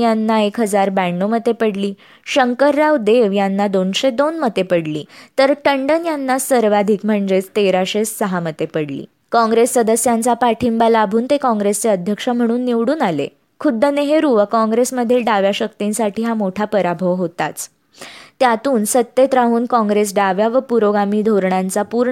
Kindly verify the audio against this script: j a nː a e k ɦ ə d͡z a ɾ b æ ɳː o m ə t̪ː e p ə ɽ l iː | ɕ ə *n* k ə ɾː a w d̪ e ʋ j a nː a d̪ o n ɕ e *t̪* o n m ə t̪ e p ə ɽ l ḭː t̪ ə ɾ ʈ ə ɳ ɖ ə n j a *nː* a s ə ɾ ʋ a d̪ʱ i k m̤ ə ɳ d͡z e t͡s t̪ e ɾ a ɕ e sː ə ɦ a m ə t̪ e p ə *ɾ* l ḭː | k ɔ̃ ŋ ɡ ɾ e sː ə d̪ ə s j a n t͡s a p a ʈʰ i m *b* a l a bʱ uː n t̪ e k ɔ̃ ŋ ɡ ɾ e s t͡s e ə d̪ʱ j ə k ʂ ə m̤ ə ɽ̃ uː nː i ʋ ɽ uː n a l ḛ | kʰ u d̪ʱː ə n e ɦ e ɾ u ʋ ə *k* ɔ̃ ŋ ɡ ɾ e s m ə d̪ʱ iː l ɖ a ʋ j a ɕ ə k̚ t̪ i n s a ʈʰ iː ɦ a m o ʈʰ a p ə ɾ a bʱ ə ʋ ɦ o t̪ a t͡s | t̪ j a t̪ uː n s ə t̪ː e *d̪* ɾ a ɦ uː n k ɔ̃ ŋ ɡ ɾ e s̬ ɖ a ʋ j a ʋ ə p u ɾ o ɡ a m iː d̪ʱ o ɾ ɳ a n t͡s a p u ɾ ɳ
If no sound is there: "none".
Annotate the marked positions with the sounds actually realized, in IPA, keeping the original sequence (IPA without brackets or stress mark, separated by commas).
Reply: ŋ, d̪, nː, ɽ, b, k, t̪